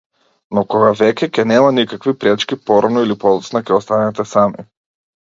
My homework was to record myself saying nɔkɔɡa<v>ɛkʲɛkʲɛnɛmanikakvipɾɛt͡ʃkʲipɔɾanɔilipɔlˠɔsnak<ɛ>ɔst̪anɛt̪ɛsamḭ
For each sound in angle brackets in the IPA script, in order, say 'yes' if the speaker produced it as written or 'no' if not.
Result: yes, yes

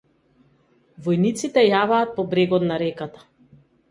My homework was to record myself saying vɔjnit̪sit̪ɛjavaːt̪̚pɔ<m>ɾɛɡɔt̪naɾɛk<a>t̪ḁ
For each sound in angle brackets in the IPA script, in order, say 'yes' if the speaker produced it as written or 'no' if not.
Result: no, yes

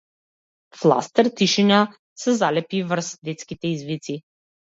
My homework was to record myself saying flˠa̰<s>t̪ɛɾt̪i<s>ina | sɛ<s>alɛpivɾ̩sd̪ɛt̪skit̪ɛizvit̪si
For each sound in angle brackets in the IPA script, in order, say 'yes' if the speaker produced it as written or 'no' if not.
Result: yes, no, no

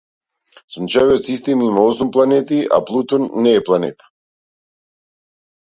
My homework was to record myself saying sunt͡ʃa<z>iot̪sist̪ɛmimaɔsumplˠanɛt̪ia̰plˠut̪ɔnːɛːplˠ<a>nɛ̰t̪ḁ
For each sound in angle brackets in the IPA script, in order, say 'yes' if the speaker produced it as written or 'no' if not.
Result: no, yes

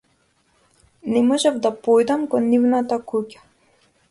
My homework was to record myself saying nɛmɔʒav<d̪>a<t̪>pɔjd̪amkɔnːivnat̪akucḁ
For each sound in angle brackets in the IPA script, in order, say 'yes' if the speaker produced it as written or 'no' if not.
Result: yes, no

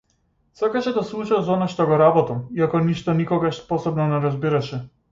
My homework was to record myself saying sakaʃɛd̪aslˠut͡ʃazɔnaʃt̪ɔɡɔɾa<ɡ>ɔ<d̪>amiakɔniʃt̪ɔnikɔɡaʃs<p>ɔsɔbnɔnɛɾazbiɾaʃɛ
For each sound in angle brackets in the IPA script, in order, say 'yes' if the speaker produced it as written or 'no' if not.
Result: no, no, yes

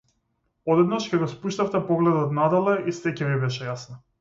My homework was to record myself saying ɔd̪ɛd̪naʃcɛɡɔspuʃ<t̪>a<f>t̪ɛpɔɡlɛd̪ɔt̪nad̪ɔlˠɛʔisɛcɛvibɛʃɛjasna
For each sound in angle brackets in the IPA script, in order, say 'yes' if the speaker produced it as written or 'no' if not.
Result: yes, yes

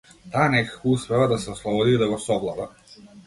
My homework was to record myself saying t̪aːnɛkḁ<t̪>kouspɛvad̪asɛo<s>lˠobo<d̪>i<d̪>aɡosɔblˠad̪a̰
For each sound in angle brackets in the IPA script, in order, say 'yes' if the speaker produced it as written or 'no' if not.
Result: no, yes, yes, yes

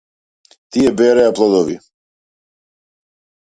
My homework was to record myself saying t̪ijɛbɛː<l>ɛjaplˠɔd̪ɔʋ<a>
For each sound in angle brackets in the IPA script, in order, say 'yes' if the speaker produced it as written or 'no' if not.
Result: no, no

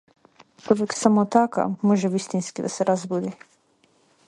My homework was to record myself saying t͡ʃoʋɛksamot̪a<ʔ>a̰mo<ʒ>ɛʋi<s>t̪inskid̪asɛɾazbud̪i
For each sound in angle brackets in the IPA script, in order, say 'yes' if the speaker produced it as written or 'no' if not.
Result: no, yes, yes

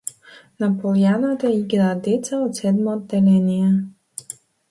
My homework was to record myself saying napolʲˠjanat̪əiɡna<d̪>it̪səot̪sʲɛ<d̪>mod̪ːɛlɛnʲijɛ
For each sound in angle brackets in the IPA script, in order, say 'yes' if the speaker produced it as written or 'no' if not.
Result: yes, yes

